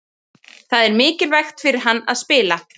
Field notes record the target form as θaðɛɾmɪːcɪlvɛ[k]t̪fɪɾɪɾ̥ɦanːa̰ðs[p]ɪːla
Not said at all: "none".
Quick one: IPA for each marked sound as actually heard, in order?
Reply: x, p

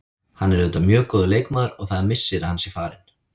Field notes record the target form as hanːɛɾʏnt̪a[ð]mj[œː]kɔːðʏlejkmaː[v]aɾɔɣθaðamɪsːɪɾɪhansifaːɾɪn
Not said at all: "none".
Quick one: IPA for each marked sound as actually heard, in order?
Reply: none, œː, ð

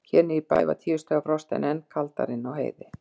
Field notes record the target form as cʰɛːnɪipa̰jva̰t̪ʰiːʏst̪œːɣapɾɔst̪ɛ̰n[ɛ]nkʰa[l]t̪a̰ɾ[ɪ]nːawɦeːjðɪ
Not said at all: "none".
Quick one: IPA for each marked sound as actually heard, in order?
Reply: ɛ, l, ɪ

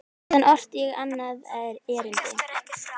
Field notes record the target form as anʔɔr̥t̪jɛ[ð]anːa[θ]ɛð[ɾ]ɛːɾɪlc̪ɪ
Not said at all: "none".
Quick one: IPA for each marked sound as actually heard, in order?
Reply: ɣ, ð, ɾ

